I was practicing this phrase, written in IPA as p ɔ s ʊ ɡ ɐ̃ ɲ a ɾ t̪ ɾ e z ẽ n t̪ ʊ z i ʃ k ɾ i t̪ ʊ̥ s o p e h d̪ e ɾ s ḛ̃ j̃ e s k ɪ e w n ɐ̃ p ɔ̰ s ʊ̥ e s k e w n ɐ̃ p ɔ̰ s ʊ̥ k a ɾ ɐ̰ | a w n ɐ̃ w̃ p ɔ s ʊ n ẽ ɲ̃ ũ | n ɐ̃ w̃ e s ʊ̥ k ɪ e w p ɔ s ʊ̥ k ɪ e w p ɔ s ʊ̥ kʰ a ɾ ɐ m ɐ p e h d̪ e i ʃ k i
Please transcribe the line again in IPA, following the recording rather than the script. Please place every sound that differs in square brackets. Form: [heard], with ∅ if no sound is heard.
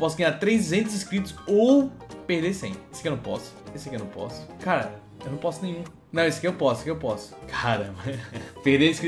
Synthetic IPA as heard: p ɔ s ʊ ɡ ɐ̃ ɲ a ɾ t̪ ɾ e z ẽ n t̪ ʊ z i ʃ k ɾ i t̪ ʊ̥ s o p e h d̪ e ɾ s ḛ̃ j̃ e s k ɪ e w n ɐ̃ p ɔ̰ s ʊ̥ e s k e w n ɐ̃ p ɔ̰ s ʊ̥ k a ɾ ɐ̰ | [e] w n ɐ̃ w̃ p ɔ s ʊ n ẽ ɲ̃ ũ | n ɐ̃ w̃ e s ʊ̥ k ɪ e w p ɔ s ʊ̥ k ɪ e w p ɔ s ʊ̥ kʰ a ɾ ɐ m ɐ p e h d̪ e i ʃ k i